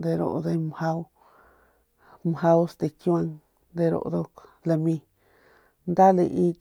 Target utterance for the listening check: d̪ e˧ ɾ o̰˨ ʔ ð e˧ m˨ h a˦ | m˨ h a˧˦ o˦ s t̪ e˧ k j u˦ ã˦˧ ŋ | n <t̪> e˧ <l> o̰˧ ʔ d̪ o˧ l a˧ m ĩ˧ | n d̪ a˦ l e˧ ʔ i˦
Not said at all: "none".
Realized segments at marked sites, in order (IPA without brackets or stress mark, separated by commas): d̪, ɾ